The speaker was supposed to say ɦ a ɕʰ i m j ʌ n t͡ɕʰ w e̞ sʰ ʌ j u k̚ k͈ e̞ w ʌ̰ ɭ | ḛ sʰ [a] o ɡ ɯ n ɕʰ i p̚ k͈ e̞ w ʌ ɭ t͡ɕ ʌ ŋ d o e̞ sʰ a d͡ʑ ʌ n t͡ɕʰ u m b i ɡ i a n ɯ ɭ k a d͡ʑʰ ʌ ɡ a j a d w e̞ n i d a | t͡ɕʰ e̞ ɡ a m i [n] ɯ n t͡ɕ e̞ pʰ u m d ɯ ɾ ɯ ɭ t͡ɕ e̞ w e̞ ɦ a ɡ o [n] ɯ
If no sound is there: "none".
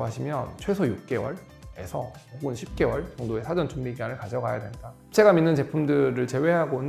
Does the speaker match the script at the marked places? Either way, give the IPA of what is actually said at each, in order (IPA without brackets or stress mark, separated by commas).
ʌ, nː, n